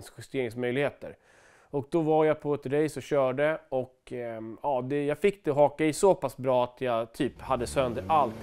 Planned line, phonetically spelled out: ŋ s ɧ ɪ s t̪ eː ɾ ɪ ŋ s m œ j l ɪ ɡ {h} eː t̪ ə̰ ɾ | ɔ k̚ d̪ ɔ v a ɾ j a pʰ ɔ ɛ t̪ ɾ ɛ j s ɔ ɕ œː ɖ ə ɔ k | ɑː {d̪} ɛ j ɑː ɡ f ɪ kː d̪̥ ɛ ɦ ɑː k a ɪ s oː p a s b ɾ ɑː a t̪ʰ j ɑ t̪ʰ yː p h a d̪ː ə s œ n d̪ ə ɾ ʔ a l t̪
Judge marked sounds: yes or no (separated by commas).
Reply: yes, yes